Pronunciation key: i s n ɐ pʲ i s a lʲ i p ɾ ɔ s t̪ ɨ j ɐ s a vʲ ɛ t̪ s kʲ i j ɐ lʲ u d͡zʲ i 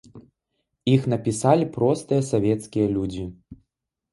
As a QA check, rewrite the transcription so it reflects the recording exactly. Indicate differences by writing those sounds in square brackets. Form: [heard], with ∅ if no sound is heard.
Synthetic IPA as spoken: i [x] n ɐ pʲ i s a lʲ i p ɾ ɔ s t̪ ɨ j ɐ s a vʲ ɛ t̪ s kʲ i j ɐ lʲ u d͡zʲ i